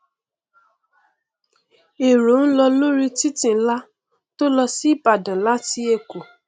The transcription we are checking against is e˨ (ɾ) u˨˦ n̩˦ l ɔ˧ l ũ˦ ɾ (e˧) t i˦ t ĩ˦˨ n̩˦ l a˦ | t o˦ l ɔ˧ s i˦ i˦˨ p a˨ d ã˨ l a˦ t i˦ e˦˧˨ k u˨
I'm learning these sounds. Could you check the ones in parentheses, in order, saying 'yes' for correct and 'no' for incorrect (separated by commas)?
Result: yes, no